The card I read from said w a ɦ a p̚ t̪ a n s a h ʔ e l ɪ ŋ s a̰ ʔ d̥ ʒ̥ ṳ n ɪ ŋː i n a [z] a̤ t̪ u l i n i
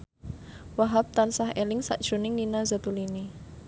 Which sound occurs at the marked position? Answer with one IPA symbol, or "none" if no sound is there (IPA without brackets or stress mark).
z